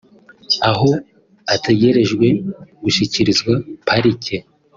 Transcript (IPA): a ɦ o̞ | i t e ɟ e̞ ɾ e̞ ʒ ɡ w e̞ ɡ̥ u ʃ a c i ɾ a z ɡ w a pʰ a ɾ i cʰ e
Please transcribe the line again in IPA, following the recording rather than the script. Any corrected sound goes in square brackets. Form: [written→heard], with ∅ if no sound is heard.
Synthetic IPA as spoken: a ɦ o̞ | [i→a] t e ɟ e̞ ɾ e̞ ʒ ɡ w e̞ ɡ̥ u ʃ [a→i] c i ɾ [a→i] z ɡ w a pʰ a ɾ i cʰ e